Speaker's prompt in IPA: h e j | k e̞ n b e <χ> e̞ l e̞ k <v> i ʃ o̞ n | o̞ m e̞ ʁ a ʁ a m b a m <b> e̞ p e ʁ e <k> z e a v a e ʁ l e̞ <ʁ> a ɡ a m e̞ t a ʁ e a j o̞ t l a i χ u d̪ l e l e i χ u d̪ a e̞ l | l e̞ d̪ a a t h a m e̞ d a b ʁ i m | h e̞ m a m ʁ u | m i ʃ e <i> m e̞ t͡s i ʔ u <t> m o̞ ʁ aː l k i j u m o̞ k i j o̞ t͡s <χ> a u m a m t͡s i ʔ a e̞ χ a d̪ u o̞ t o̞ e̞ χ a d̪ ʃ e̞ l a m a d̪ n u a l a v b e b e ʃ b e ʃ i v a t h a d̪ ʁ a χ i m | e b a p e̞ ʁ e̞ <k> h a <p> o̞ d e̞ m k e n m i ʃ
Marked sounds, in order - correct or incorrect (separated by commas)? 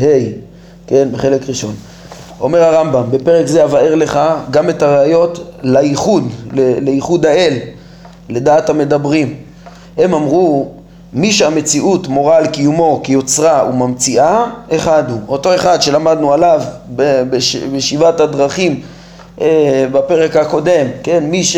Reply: correct, incorrect, correct, correct, incorrect, incorrect, correct, incorrect, correct, incorrect